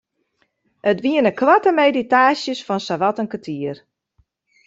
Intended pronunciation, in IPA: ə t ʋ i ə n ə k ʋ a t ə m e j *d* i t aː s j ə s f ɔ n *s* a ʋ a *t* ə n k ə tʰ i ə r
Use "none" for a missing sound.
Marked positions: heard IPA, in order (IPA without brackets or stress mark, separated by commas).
d, s, t